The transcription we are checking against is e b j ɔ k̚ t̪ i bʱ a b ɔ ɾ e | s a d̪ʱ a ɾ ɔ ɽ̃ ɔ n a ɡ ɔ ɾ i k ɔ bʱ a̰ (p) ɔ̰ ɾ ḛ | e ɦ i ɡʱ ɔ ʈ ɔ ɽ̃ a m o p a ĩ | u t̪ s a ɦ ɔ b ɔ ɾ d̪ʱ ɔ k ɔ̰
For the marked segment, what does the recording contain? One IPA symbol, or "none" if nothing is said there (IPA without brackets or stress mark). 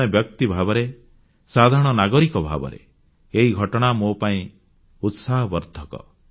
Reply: b